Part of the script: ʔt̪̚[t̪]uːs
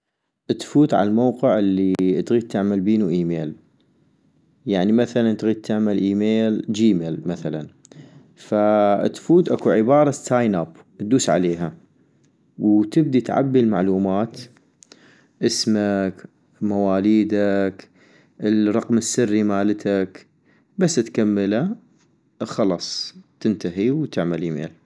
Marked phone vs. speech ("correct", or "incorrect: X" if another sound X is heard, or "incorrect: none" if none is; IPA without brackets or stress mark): incorrect: d̪